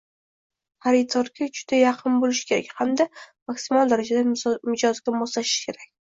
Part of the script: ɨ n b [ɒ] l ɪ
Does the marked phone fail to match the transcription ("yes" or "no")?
yes